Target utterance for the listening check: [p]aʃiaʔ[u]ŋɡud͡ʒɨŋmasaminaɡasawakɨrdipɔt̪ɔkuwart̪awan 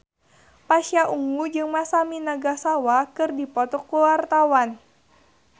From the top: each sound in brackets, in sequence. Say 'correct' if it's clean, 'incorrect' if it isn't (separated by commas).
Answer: correct, correct